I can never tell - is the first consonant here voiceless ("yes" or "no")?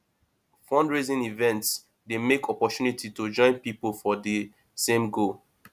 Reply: yes